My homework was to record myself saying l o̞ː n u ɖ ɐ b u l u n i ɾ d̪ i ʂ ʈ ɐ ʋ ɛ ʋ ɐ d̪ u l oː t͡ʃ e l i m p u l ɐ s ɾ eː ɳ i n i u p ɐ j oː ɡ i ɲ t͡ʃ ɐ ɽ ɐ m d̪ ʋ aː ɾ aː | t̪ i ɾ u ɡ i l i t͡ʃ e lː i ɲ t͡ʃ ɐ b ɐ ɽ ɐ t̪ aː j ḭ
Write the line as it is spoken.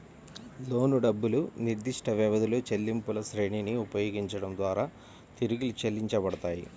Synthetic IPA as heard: l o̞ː n u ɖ ɐ bː u l u n i ɾ d̪ i ʂ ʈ ɐ ʋ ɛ ʋ ɐ d̪ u l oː t͡ʃ e lː i m p u l ɐ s ɾ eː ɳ i n i u p ɐ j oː ɡ i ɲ t͡ʃ ɐ ɽ ɐ m d̪ ʋ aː ɾ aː | t̪ i ɾ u ɡ i l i t͡ʃ e lː i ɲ t͡ʃ ɐ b ɐ ɽ ɐ t̪ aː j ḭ